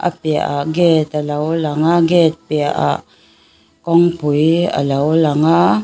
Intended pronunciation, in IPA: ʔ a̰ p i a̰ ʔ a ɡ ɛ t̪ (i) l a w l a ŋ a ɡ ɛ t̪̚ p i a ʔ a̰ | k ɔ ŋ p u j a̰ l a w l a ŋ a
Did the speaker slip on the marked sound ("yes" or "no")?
yes